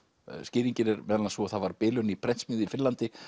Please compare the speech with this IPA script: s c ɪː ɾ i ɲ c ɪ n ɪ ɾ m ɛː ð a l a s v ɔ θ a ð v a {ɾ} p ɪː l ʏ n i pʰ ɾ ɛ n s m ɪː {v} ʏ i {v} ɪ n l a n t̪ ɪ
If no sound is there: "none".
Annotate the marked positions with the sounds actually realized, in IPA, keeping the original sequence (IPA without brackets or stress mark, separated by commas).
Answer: ɾ, ð, f